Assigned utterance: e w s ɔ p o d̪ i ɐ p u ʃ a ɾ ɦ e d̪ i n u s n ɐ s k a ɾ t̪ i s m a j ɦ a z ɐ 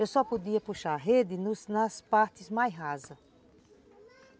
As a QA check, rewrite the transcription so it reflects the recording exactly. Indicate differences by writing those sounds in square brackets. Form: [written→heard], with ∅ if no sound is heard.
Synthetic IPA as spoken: e w s ɔ p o d̪ i ɐ p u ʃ a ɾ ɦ e d̪ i n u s n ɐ s [k→p] a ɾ t̪ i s m a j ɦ a z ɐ